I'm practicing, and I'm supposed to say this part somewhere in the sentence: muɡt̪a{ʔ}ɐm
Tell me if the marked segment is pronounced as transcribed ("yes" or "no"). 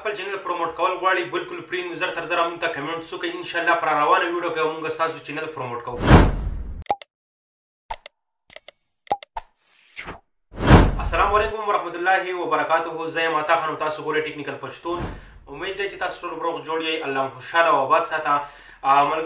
no